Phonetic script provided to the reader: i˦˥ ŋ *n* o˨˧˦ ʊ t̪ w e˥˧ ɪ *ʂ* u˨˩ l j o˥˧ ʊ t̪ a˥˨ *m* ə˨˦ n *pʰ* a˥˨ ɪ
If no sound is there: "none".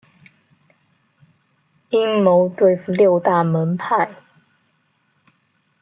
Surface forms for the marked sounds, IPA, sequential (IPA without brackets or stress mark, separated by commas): m, f, m, pʰ